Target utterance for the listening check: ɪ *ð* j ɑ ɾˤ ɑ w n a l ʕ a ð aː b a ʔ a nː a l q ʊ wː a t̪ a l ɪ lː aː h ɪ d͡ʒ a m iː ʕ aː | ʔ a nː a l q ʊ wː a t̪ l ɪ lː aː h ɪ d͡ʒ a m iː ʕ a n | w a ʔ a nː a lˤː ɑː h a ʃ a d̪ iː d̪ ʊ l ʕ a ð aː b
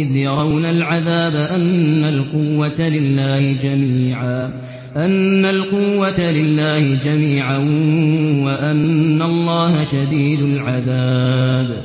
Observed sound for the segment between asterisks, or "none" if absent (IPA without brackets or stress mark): ð